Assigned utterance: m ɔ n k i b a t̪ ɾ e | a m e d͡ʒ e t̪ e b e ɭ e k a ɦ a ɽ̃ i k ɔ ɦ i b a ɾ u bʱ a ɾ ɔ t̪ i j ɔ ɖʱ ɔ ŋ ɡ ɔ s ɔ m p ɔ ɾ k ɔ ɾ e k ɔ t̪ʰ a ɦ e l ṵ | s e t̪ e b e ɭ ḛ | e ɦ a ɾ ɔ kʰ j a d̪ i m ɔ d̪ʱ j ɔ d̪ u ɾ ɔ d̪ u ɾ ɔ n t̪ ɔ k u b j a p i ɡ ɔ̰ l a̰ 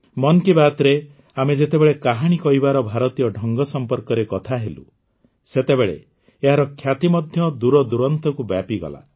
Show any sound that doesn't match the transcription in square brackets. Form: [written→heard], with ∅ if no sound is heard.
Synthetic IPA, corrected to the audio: m ɔ n k i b a t̪ ɾ e | a m e d͡ʒ e t̪ e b e ɭ e k a ɦ a ɽ̃ i k ɔ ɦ i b a ɾ [u→ɔ] bʱ a ɾ ɔ t̪ i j ɔ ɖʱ ɔ ŋ ɡ ɔ s ɔ m p ɔ ɾ k ɔ ɾ e k ɔ t̪ʰ a ɦ e l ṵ | s e t̪ e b e ɭ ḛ | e ɦ a ɾ ɔ kʰ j a [d̪→t̪] i m ɔ d̪ʱ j ɔ d̪ u ɾ ɔ d̪ u ɾ ɔ n t̪ ɔ k u b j a p i ɡ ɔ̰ l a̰